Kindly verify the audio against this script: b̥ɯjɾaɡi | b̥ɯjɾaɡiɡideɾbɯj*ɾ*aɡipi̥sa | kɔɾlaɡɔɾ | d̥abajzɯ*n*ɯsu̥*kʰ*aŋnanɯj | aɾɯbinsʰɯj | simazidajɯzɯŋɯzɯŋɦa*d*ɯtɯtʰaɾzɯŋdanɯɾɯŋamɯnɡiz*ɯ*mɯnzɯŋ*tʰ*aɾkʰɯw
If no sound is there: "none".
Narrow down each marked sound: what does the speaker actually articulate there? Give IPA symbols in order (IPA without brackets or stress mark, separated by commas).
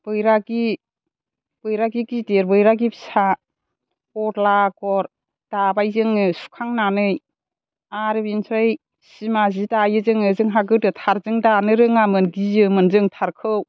ɾ, ŋ, kʰ, ɡ, ɯ, tʰ